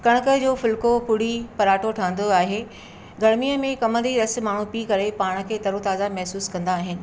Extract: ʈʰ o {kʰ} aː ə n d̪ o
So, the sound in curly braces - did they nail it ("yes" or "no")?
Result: no